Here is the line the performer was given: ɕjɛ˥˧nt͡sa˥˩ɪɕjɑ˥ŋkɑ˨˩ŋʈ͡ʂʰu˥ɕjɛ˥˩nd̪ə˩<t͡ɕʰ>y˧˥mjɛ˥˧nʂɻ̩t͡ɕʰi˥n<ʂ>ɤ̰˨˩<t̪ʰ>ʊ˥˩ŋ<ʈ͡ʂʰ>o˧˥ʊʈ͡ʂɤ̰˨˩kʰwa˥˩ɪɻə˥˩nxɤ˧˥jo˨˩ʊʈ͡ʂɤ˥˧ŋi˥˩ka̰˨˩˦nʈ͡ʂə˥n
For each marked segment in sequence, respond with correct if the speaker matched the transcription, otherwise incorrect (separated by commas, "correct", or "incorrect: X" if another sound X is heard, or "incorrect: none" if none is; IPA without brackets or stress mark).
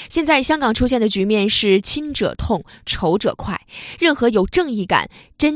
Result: incorrect: t͡ɕ, incorrect: ʈ͡ʂ, correct, correct